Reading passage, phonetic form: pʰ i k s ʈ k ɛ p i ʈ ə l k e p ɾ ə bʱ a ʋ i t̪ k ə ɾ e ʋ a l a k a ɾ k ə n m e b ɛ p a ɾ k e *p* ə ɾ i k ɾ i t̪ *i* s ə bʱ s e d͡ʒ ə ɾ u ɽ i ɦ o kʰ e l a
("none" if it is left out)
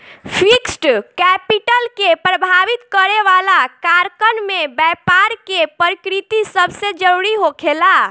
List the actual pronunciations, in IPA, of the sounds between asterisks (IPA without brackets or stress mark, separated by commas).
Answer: p, i